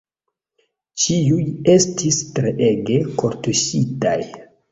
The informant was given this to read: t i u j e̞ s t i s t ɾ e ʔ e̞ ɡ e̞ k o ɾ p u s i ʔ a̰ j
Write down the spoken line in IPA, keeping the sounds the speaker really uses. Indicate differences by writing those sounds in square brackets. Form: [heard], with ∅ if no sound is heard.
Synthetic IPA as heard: [t͡ʃ] i u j e̞ s t i s t ɾ e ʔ e̞ ɡ e̞ k o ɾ [t] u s i [t] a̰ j